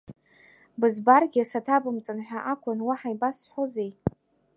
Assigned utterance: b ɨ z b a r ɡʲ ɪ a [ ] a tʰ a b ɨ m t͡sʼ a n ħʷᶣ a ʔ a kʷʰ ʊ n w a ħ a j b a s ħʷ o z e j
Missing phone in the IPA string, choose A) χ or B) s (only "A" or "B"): B